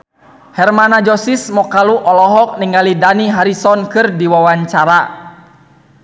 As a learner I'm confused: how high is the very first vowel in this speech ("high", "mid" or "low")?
mid